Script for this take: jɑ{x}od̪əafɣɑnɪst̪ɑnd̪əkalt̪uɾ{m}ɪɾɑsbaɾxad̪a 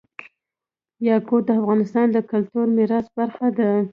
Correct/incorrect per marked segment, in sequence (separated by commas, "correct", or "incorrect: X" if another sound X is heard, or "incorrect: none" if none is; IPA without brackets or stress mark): incorrect: k, correct